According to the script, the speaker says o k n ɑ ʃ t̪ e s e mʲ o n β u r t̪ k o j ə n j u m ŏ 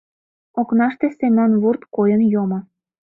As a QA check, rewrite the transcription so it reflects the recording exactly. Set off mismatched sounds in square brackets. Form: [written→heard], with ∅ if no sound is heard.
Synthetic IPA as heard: o k n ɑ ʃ t̪ e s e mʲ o n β u r t̪ k o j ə n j [u→o] m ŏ